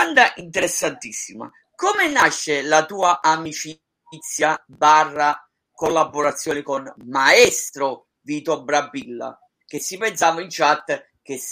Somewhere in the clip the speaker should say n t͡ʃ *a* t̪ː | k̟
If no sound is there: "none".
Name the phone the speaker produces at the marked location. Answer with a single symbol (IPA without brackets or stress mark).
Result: a